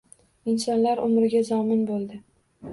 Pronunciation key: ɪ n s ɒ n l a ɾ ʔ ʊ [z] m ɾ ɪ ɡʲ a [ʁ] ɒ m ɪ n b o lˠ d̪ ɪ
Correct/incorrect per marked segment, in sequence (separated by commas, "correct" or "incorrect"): incorrect, incorrect